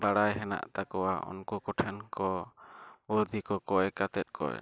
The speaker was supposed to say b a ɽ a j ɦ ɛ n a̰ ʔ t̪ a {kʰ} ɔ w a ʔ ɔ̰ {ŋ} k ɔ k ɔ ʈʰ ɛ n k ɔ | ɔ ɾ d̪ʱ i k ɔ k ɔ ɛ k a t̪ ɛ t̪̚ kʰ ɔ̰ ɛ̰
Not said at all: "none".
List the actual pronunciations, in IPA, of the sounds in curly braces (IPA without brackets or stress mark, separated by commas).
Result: k, n